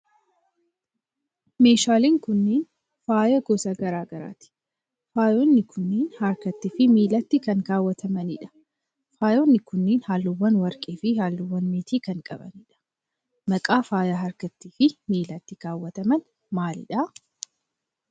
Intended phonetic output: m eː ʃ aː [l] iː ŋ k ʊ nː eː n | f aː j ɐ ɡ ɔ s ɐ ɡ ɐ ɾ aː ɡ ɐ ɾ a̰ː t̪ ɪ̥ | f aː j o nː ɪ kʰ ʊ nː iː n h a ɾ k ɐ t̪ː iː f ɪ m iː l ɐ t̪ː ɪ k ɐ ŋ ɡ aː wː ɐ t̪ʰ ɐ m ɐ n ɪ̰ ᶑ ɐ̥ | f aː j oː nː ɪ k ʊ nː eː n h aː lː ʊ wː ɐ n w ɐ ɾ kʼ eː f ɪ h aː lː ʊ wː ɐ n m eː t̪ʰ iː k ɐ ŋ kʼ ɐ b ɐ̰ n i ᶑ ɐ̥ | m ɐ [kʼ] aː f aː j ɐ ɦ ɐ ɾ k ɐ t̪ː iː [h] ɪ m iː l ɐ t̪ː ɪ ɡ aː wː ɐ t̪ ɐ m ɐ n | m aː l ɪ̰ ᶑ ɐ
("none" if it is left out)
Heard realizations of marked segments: l, kʼ, f

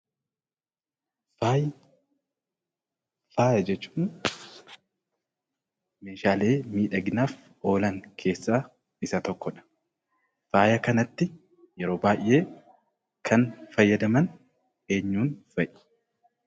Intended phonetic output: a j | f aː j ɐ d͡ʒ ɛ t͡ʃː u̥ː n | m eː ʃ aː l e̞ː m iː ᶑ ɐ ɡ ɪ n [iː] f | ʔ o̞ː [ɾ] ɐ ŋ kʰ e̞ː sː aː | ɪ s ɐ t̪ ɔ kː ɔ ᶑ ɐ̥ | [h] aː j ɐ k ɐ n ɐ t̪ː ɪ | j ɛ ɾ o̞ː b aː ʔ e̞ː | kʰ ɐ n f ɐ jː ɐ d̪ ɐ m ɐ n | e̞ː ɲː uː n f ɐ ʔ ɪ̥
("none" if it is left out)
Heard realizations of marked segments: aː, l, f

